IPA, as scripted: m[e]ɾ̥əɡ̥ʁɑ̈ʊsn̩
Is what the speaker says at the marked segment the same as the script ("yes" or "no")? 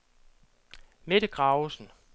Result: yes